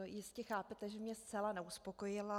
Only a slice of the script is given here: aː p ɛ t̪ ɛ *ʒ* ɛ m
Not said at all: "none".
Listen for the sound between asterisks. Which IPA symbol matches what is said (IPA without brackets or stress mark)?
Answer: ʒ